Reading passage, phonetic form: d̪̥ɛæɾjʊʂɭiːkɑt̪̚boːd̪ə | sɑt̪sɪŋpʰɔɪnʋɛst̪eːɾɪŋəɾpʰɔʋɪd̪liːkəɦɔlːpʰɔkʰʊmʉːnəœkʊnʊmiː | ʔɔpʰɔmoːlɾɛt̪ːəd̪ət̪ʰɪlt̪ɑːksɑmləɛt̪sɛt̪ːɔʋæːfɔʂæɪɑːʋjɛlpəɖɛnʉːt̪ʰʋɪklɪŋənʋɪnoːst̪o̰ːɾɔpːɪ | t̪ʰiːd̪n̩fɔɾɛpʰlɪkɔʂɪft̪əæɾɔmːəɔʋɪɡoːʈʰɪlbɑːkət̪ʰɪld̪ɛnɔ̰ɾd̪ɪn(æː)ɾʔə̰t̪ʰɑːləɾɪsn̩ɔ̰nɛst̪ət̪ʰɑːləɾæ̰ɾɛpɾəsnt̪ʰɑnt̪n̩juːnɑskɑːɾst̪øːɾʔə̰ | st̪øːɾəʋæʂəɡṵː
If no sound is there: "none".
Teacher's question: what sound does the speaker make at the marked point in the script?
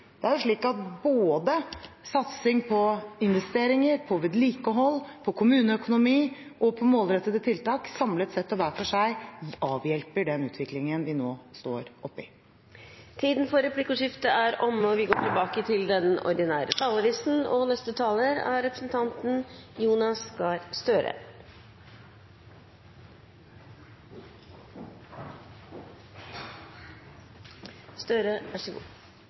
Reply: æː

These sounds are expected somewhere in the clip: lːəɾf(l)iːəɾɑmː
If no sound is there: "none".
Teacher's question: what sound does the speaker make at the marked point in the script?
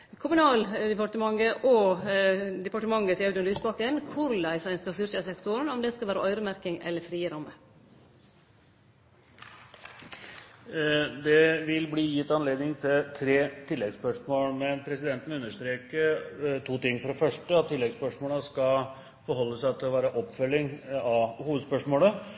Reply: ɾ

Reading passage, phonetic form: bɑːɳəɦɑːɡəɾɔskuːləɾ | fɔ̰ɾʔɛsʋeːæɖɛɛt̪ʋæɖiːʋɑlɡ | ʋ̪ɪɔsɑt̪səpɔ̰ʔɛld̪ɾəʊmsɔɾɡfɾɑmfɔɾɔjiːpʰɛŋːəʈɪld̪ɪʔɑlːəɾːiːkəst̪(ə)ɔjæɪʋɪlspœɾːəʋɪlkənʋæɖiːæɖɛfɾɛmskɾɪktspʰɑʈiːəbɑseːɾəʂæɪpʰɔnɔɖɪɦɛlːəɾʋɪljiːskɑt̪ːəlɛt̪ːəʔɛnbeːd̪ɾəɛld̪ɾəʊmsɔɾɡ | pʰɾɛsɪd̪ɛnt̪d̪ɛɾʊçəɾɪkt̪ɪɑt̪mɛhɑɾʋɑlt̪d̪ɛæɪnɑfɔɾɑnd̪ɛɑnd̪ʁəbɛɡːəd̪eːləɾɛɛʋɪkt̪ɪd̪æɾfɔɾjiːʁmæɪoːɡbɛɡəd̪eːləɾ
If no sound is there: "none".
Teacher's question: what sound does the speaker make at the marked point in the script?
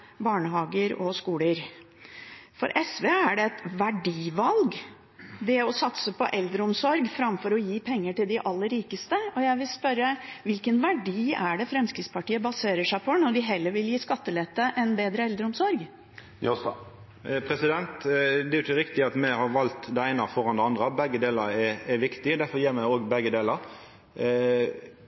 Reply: ə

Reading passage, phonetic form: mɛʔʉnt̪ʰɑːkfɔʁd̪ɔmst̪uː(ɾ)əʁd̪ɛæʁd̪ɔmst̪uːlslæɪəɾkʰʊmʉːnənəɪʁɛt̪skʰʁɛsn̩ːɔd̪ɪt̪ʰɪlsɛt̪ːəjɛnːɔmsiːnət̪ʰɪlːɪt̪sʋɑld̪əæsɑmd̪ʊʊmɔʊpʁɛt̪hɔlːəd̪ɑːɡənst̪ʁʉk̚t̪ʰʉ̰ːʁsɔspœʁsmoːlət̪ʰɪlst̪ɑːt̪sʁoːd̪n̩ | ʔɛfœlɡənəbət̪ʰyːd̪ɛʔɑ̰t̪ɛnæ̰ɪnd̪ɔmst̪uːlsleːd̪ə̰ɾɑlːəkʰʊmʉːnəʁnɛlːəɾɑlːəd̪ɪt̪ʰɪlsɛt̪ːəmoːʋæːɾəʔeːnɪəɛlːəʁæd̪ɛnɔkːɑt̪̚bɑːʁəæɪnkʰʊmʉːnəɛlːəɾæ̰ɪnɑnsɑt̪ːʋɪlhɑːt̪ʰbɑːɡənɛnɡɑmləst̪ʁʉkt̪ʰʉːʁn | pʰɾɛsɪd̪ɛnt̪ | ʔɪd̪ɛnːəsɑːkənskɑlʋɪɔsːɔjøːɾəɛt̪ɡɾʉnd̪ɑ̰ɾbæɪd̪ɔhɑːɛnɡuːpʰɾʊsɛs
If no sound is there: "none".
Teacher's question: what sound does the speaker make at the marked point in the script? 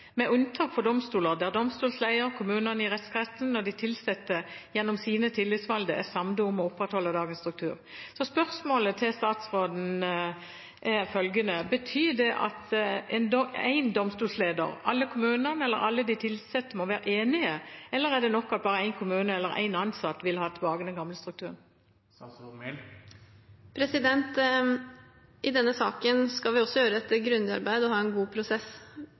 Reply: l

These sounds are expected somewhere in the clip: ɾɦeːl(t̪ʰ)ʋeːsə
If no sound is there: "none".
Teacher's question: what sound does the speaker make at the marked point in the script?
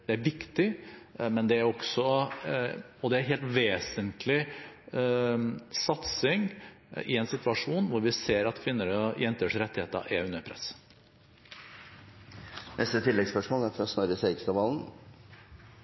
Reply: t̪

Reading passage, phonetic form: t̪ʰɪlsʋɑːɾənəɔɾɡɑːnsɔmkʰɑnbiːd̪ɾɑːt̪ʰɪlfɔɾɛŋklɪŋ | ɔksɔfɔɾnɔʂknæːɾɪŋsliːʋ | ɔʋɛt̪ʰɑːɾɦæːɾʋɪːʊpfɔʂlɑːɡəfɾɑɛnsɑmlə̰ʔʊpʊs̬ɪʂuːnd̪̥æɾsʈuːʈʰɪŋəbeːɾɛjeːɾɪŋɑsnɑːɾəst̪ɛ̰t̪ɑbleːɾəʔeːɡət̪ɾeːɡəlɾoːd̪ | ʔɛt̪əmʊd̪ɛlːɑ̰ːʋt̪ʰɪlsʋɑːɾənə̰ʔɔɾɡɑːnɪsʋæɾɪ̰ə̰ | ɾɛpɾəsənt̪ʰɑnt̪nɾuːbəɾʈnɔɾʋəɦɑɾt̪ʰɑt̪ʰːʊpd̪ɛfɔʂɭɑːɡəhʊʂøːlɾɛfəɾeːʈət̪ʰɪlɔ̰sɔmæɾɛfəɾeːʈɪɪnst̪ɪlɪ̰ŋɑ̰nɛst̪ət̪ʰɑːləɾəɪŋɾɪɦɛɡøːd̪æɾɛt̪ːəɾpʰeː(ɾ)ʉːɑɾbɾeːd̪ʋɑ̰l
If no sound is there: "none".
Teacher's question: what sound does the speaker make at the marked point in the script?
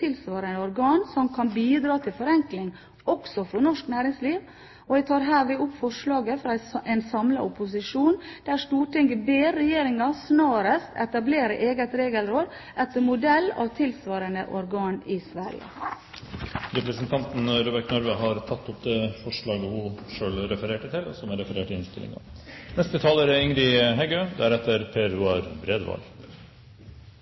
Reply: ɾ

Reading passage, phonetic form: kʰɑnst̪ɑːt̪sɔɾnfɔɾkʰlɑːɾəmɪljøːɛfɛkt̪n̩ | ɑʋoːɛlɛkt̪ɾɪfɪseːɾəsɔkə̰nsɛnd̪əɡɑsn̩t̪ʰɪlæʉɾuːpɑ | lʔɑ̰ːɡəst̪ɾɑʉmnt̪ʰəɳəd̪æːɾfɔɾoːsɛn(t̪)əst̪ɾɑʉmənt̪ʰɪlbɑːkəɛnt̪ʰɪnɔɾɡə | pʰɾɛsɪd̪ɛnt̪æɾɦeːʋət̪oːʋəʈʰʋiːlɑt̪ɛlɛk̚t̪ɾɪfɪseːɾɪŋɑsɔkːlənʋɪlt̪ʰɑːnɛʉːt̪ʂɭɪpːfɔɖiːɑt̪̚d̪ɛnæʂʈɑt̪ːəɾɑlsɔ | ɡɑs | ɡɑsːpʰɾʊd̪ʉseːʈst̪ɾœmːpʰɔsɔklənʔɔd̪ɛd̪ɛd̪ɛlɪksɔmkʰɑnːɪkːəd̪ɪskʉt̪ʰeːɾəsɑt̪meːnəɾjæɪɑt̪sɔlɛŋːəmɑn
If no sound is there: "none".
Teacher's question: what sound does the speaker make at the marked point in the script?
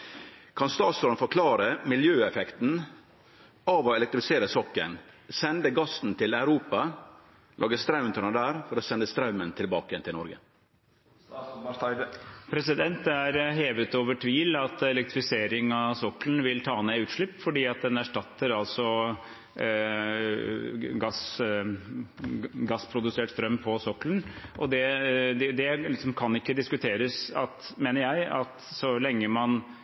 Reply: d̪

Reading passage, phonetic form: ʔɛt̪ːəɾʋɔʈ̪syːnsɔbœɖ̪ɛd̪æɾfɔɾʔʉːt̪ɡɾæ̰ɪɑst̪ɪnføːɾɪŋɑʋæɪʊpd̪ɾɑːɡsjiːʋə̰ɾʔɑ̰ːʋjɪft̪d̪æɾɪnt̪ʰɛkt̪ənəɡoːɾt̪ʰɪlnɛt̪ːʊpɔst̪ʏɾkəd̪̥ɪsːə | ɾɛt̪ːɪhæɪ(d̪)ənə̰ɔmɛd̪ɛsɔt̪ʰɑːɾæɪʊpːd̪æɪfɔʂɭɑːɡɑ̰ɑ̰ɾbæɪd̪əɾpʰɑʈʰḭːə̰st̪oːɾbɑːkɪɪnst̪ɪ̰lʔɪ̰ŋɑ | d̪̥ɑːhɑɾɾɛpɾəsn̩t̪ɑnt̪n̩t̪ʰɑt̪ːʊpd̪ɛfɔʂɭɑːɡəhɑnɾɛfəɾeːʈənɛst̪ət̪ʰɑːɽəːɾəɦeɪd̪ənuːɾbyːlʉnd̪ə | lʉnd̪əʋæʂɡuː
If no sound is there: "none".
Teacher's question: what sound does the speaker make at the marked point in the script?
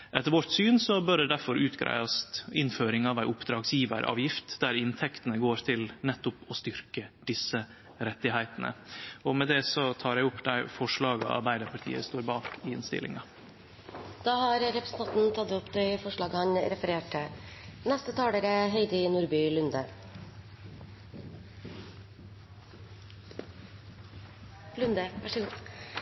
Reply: t̪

